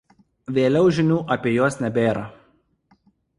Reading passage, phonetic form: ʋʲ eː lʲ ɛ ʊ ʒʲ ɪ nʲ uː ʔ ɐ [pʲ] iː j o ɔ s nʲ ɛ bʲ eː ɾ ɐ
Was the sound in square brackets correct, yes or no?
yes